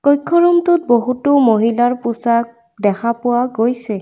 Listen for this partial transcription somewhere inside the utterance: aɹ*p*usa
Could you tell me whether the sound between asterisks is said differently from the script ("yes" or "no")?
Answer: no